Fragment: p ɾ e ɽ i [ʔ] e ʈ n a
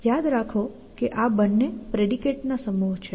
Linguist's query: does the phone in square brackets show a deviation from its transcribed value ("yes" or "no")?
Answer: yes